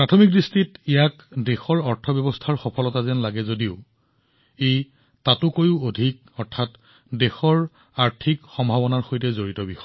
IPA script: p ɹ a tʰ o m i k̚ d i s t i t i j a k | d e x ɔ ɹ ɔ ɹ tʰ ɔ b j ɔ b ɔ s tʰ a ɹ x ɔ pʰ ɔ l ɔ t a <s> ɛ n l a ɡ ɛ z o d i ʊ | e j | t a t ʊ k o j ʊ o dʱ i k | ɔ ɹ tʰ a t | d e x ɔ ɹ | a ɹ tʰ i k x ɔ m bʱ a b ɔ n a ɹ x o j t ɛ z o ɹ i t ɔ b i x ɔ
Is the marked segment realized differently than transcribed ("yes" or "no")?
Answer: yes